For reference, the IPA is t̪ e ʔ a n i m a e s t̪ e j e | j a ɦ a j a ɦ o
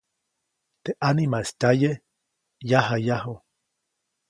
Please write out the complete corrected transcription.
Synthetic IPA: t̪ e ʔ a n i m a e s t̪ a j e | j a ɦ a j a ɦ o